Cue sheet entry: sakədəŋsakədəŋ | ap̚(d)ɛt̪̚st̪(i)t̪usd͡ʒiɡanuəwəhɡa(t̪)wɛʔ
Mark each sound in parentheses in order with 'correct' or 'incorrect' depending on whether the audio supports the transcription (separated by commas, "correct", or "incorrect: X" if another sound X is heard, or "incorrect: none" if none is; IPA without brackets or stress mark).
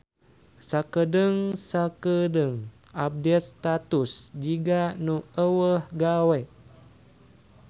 correct, incorrect: a, incorrect: none